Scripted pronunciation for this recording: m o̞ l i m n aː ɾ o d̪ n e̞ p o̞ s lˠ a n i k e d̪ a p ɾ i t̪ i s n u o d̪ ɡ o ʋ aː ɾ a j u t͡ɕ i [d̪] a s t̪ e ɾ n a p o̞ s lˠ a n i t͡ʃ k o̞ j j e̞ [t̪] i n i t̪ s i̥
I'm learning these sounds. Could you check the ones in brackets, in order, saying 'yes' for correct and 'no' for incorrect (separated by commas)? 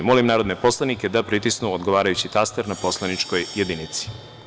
no, no